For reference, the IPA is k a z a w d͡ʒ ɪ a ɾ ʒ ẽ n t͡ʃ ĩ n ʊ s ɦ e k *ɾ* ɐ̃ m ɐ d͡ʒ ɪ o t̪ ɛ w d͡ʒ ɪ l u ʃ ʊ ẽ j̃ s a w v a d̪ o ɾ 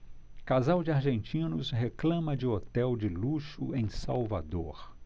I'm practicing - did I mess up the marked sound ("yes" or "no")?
yes